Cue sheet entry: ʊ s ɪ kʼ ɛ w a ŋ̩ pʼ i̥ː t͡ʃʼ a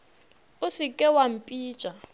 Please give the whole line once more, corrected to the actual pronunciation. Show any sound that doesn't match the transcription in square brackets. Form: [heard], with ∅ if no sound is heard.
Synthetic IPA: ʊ s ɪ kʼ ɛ w a [m̩] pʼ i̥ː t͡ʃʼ a

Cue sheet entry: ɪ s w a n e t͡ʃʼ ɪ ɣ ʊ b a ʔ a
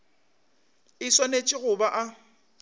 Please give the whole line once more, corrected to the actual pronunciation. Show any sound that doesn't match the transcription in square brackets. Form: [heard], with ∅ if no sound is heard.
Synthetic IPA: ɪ s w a n e t͡ʃʼ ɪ ɣ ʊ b a ʔ a

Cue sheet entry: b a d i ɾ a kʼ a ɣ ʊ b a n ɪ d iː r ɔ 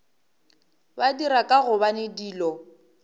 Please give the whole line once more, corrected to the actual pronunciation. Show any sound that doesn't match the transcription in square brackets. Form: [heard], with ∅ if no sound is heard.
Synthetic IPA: b a d i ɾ a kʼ a ɣ ʊ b a n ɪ d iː [l] ɔ

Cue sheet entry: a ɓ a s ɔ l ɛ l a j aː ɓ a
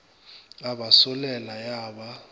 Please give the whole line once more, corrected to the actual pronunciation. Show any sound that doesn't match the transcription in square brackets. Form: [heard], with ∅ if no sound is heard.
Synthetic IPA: a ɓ a s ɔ l ɛ l a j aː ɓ a

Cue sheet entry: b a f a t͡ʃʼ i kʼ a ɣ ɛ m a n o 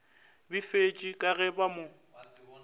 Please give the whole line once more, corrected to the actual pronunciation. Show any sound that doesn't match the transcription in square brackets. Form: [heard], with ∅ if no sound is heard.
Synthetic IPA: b [i] f [e] t͡ʃʼ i kʼ a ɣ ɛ [b] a [m] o

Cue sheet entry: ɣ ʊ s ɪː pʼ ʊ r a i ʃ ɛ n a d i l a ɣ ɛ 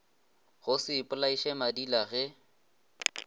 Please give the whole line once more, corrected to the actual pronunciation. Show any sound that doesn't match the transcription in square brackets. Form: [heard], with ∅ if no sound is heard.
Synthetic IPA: ɣ ʊ s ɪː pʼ ʊ [l] a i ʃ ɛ [m] a d i l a ɣ ɛ

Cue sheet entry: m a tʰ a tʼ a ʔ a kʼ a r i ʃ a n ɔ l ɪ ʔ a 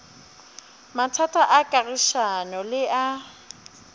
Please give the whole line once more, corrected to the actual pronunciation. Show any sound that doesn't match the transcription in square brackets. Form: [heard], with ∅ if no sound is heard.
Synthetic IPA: m a tʰ a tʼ a ʔ a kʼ a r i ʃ a n ɔ l ɪ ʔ a

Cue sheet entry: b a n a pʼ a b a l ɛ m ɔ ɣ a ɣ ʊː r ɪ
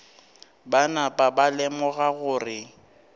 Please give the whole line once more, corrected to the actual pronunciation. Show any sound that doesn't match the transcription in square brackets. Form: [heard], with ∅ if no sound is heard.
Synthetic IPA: b a n a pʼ a b a l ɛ m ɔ ɣ a ɣ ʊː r ɪ

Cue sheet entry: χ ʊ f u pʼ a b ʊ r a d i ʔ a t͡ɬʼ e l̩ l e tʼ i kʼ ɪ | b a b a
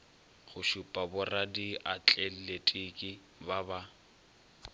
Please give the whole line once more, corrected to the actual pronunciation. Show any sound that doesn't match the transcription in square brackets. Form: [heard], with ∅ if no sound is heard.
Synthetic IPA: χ ʊ [ʃ] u pʼ a b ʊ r a d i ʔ a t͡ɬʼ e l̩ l e tʼ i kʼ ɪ | b a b a

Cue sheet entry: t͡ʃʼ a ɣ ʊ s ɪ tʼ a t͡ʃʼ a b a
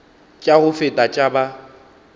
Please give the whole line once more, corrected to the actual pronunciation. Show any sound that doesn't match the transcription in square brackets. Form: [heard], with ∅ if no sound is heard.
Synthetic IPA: t͡ʃʼ a ɣ ʊ [f] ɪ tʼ a t͡ʃʼ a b a

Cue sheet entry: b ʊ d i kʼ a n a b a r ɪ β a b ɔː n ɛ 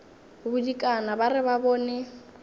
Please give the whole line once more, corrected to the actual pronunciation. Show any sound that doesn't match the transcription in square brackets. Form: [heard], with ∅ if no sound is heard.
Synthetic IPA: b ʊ d i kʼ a n a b a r ɪ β a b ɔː n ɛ

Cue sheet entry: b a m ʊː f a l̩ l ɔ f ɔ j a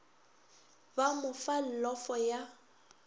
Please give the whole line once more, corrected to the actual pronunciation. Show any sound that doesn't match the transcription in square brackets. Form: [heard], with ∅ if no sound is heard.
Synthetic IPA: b a m [ʊ] f a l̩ l ɔ f ɔ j a

